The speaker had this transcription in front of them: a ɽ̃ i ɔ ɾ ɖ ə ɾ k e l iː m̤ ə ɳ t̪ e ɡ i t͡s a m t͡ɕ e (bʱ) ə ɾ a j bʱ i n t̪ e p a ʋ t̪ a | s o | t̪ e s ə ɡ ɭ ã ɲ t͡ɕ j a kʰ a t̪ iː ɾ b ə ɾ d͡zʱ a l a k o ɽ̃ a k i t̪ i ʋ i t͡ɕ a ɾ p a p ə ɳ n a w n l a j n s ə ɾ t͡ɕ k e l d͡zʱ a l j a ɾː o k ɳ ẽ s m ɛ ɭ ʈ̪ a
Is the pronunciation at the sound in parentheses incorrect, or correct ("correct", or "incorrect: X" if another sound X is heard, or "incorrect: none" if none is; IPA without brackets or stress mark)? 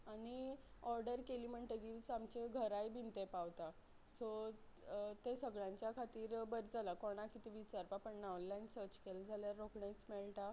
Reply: incorrect: ɡʱ